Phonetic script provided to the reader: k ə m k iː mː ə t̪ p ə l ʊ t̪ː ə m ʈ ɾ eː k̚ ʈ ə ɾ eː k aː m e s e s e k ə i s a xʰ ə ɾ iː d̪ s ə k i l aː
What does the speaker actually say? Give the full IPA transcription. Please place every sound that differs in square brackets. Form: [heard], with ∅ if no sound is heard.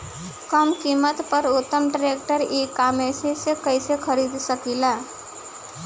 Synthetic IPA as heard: k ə m k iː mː ə t̪ p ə [ɾ] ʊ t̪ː ə m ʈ ɾ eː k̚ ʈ ə ɾ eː k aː m e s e s e k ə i s [e] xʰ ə ɾ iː d̪ s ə k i l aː